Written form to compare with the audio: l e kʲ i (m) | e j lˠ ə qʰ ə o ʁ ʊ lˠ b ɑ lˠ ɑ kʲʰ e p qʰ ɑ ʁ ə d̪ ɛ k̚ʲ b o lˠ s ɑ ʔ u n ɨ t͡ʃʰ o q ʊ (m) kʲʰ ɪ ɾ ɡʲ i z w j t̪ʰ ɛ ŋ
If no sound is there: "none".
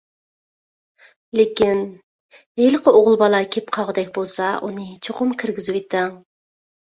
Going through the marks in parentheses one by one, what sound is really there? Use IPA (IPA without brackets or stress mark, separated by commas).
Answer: n, m